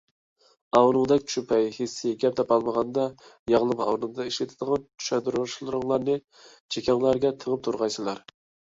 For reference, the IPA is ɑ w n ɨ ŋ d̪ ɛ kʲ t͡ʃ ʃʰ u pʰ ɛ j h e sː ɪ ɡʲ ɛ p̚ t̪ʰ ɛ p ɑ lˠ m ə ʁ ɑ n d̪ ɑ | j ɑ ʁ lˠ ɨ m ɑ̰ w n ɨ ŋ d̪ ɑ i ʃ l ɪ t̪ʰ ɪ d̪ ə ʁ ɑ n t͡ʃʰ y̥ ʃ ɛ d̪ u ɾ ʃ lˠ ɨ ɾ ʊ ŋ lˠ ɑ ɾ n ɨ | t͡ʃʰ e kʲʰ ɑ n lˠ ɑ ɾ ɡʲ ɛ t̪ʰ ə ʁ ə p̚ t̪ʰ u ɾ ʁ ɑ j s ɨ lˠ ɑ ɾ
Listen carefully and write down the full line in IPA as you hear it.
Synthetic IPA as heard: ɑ w n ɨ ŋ d̪ ɛ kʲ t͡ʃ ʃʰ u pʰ ɛ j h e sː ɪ ɡʲ ɛ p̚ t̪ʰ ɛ p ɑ lˠ m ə ʁ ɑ n d̪ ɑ | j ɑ ʁ lˠ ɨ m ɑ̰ w n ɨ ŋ d̪ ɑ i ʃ l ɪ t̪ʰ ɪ d̪ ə ʁ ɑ n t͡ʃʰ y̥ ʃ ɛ d̪ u ɾ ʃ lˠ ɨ ɾ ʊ ŋ lˠ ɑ ɾ n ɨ | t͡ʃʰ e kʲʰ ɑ ŋ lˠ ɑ ɾ ɡʲ ɛ t̪ʰ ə ʁ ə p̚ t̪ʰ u ɾ ʁ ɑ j s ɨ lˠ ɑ ɾ